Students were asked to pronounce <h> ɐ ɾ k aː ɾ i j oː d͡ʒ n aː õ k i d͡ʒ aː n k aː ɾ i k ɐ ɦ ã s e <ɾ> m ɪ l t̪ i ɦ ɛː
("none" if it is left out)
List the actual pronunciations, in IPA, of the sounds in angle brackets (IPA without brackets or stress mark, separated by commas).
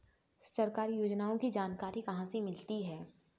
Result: s, none